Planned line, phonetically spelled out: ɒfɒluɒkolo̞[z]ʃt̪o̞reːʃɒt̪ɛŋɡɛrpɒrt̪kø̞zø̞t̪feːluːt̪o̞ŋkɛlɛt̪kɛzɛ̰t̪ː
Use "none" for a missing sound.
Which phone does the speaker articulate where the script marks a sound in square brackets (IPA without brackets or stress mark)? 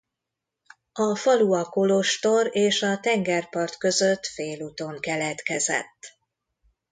none